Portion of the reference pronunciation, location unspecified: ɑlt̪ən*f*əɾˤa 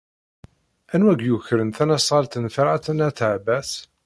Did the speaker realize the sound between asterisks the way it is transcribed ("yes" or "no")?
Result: yes